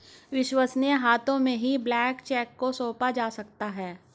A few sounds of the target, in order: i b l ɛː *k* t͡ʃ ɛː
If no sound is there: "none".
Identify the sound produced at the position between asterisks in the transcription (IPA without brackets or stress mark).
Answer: k